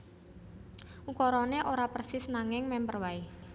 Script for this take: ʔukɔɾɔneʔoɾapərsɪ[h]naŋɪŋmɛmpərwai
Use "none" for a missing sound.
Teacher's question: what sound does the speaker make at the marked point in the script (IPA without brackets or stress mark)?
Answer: s